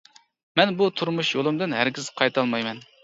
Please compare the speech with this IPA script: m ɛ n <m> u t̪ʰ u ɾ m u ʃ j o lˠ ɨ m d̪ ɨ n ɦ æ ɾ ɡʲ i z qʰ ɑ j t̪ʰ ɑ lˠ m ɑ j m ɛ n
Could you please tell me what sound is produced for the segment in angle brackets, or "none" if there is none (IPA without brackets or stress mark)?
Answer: b